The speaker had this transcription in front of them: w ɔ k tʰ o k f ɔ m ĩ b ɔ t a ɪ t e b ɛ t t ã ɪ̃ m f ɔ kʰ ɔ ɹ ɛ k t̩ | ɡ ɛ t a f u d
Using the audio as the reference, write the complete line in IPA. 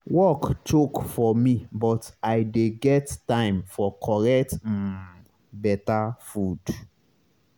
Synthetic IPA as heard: w ɔ k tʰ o k f ɔ m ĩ b ɔ t a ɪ d e ɡ ɛ t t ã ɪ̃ m f ɔ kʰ ɔ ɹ ɛ k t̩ | b ɛ t a f u d